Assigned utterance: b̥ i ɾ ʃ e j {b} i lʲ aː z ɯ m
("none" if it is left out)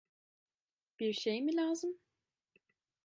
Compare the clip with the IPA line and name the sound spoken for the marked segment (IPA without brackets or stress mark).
m